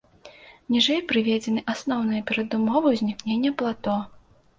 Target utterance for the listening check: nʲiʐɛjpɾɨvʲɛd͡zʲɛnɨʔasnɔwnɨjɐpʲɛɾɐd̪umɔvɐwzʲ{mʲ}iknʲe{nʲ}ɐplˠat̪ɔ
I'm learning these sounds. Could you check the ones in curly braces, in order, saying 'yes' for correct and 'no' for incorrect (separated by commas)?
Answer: no, no